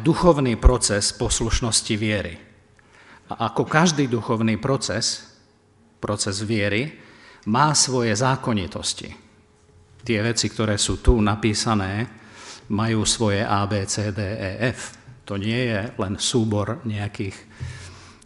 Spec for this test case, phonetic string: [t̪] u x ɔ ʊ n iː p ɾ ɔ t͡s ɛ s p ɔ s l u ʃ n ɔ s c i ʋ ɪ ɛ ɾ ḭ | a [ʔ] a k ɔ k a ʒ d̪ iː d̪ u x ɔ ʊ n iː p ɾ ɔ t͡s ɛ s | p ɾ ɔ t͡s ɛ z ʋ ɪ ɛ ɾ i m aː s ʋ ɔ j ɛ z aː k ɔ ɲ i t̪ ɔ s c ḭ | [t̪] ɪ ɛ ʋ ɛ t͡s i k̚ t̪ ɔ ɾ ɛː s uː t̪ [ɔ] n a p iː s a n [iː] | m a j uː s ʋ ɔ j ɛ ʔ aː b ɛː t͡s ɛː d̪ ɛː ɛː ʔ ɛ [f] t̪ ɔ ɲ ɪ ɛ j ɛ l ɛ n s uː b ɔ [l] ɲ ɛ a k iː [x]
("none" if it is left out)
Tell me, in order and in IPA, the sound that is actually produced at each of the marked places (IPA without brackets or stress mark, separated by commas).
d̪, ʔ, t̪, u, ɛː, f, ɾ, x